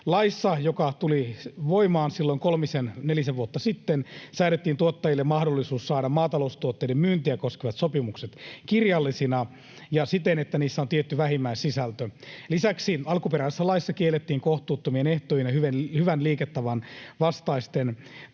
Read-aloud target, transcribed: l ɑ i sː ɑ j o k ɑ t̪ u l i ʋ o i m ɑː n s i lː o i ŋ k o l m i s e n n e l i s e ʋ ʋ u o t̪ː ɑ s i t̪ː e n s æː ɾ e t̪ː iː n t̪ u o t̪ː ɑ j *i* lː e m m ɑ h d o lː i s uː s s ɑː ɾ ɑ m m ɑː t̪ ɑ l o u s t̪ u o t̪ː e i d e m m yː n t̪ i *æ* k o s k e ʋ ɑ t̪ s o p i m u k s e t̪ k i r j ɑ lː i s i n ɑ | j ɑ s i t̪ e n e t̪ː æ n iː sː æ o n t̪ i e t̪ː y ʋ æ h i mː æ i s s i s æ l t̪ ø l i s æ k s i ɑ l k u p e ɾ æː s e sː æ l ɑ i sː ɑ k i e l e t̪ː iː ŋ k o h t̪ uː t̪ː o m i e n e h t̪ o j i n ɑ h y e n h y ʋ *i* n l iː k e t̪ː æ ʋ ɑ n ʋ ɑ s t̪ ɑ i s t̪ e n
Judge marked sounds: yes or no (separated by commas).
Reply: yes, yes, no